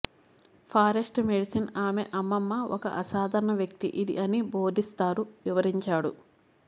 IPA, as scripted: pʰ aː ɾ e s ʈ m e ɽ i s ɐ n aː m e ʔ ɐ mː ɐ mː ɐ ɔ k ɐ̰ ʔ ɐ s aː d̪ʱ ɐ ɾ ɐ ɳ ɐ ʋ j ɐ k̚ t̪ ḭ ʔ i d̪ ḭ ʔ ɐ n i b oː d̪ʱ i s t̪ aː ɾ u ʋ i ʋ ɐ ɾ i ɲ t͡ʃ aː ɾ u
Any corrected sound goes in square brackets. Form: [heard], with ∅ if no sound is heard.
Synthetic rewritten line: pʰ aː ɾ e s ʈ m e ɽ i s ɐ n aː m e ʔ ɐ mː ɐ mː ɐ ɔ k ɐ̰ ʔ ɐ s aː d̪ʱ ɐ ɾ ɐ ɳ ɐ ʋ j ɐ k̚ t̪ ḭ ʔ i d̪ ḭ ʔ ɐ n i b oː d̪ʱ i s t̪ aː ɾ u ʋ i ʋ ɐ ɾ i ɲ t͡ʃ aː [ɽ] u